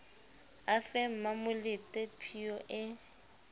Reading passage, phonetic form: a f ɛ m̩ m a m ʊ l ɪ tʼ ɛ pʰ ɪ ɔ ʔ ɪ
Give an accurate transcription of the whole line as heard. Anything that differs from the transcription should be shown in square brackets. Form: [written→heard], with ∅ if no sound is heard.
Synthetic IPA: a f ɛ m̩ m a m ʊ l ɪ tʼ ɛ pʰ [ɪ→i] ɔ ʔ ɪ

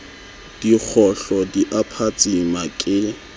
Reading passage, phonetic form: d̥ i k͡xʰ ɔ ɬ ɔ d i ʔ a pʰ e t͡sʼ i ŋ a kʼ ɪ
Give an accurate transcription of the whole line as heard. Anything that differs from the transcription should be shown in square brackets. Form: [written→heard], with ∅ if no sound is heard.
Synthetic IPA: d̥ i k͡xʰ ɔ ɬ ɔ d i ʔ a pʰ [e→a] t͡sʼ i [ŋ→m] a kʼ ɪ

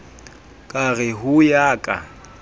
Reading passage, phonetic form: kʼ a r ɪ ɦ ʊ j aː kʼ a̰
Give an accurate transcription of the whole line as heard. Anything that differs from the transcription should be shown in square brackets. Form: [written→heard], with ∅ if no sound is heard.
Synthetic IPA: kʼ a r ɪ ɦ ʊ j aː kʼ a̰

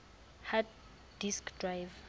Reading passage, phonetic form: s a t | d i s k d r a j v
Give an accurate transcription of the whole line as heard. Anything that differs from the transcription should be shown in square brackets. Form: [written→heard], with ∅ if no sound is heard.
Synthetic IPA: [s→h] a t | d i s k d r a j v

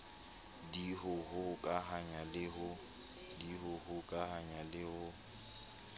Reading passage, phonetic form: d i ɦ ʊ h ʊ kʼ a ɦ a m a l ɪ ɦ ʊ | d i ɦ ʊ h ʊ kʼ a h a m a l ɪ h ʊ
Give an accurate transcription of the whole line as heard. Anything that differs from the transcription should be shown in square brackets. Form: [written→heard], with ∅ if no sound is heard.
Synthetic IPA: d i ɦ ʊ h ʊ kʼ a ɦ a [m→ɲ] a l ɪ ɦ ʊ | d i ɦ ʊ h ʊ kʼ a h a [m→ɲ] a l ɪ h ʊ

